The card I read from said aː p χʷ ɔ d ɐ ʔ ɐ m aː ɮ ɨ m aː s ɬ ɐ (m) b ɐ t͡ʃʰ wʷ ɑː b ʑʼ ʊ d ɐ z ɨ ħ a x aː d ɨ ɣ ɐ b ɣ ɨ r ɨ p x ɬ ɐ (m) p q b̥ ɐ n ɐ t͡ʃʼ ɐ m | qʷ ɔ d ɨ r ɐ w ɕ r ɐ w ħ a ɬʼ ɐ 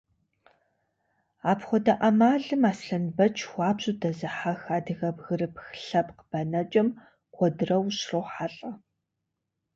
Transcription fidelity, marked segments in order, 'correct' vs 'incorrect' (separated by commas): incorrect, incorrect